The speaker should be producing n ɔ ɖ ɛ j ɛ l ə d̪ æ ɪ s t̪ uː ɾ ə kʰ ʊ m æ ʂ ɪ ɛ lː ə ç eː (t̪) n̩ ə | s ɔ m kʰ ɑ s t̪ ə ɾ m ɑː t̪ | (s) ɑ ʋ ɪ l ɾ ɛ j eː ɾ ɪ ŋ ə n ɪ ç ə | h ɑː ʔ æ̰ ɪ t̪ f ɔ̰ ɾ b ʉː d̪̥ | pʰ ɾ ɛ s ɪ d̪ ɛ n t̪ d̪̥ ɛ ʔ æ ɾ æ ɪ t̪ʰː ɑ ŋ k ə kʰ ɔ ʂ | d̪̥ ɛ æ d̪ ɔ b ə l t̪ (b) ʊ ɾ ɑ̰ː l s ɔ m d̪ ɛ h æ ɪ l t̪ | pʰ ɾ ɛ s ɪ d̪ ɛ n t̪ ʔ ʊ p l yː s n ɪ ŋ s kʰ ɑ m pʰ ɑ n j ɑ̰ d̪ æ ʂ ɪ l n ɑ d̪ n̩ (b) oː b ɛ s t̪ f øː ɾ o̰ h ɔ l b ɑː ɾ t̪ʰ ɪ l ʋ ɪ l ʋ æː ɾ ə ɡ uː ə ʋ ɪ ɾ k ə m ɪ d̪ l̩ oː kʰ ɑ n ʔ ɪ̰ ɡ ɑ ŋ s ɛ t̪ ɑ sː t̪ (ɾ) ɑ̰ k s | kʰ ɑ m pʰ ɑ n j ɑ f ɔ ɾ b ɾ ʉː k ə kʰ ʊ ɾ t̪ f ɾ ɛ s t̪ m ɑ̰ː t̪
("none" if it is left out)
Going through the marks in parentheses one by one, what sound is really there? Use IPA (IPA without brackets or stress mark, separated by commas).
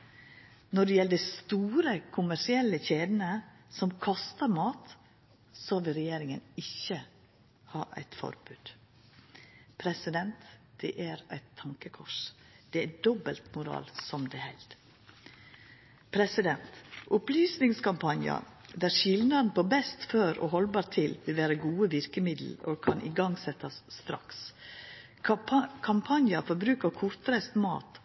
d̪, s, m, p, ɾ